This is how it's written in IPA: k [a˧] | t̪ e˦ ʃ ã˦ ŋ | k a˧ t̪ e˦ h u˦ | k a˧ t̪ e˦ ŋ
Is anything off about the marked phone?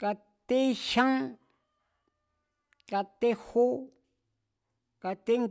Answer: no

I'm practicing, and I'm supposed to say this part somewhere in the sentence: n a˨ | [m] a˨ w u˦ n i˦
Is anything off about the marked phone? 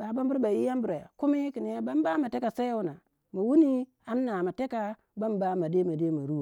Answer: no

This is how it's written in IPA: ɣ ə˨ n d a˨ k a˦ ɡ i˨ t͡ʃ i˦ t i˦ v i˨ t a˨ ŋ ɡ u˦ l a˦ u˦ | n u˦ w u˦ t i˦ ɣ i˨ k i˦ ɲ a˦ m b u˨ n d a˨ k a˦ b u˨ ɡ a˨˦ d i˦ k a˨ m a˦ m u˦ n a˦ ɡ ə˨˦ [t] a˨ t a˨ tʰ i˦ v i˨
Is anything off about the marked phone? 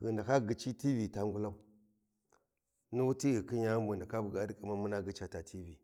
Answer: yes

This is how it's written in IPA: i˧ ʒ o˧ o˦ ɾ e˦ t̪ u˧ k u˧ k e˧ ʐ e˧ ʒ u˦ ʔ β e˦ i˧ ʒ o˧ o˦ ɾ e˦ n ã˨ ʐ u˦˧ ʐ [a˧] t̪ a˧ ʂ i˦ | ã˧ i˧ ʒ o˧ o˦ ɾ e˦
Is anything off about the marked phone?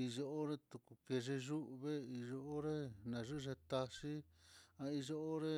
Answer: yes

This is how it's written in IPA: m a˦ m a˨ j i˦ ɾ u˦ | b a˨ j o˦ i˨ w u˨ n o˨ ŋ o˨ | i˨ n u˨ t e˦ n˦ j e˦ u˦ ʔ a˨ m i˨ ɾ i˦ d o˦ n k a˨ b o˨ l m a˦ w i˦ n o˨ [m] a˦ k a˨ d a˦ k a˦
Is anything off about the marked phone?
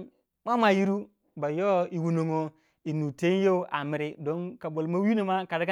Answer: no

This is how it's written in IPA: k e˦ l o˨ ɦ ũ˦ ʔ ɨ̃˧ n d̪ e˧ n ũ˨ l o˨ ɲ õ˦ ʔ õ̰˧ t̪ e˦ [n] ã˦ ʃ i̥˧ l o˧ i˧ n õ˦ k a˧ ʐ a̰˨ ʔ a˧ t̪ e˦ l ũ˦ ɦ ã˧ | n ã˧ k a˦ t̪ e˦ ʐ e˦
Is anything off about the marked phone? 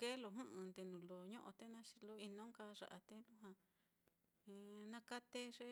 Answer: no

